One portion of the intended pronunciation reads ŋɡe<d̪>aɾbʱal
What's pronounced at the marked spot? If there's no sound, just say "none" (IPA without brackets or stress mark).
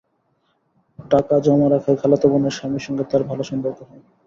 t̪